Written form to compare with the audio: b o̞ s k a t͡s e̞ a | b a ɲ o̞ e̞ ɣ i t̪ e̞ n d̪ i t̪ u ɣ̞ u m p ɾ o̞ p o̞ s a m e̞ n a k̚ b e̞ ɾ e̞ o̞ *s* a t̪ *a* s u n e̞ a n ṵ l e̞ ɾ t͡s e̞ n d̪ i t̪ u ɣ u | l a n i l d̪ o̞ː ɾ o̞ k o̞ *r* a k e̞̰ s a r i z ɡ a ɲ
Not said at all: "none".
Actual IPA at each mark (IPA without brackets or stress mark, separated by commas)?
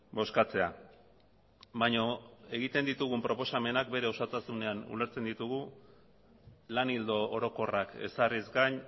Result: s, a, r